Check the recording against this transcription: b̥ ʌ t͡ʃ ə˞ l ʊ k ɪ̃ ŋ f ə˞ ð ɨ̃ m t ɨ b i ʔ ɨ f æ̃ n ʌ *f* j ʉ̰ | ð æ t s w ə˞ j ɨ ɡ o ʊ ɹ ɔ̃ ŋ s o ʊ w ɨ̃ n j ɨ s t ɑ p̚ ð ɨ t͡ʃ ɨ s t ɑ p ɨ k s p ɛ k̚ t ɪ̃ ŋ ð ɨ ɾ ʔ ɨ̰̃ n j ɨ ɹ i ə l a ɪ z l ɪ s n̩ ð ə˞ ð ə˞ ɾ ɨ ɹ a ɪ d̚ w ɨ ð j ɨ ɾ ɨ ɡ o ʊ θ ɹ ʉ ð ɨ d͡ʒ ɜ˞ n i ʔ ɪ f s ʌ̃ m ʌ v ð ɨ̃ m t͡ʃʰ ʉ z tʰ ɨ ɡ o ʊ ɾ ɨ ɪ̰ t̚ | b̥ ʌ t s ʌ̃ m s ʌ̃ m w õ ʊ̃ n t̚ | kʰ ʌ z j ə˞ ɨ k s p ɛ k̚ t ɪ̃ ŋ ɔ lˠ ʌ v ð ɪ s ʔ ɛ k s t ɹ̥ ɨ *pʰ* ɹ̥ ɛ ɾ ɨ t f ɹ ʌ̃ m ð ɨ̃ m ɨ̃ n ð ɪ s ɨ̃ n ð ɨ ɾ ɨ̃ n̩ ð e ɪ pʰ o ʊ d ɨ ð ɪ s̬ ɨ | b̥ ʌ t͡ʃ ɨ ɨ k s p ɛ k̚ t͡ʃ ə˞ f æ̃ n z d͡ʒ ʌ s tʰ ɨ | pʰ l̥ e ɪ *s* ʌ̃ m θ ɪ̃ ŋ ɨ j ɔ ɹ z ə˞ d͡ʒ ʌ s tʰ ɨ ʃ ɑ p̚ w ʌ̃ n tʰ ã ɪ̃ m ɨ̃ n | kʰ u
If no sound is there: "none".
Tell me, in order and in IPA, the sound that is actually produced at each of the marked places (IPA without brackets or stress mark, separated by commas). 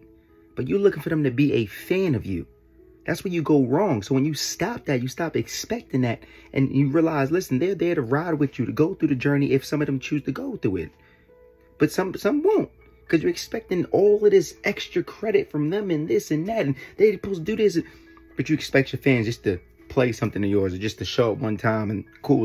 v, kʰ, s